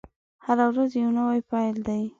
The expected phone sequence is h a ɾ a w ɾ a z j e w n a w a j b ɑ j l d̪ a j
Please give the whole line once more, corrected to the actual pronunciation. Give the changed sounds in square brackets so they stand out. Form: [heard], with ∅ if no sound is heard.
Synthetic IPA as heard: h a ɾ a w ɾ a z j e w n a w a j [p] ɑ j l d̪ a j